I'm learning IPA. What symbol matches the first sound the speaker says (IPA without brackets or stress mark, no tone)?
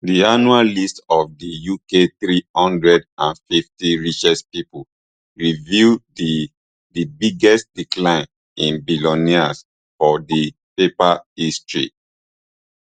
d